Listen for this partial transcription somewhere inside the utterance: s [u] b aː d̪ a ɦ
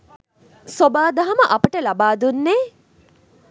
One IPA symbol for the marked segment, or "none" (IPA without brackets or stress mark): o